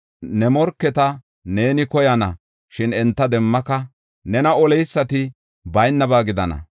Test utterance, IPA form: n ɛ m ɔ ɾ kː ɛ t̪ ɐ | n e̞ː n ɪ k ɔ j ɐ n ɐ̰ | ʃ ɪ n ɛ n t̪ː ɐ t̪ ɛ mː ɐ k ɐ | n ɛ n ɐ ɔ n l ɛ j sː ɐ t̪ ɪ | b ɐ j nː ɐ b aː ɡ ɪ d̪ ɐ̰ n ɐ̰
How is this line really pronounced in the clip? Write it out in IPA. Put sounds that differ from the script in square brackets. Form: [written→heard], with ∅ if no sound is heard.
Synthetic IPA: n ɛ m ɔ ɾ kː ɛ t̪ ɐ | n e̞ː n ɪ k ɔ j ɐ n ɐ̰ | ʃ ɪ n ɛ n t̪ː ɐ [t̪→d̪] ɛ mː ɐ k ɐ | n ɛ n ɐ ɔ [n→∅] l ɛ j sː ɐ t̪ ɪ | b ɐ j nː ɐ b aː ɡ ɪ d̪ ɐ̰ n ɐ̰